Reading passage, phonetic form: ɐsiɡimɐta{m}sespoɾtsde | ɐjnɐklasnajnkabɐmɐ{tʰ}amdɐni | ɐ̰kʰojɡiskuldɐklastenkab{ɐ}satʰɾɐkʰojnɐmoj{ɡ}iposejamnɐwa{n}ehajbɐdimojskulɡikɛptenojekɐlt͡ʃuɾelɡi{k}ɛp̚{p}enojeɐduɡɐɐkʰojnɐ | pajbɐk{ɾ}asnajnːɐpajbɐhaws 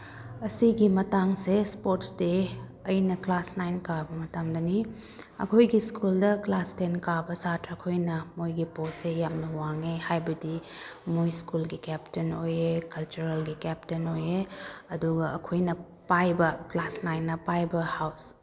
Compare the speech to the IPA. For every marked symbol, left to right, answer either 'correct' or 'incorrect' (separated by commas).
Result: incorrect, incorrect, correct, correct, incorrect, correct, incorrect, incorrect